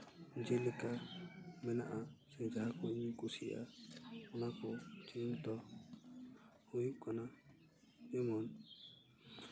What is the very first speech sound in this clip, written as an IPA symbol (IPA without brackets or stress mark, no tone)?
d͡ʒ